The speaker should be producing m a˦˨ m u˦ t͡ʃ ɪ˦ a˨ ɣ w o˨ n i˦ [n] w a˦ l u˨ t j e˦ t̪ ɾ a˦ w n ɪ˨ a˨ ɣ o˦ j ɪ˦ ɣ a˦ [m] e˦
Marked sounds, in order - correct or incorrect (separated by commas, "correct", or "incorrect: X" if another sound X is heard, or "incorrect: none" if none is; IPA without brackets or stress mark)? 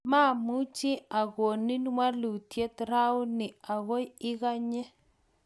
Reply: correct, incorrect: ɲ